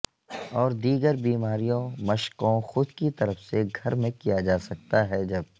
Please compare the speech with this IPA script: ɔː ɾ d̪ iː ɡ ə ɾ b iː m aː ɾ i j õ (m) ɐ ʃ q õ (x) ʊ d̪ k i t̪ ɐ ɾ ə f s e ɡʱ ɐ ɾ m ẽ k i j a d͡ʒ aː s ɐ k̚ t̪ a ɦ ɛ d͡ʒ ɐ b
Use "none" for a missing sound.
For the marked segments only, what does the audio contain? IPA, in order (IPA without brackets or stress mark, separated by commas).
m, x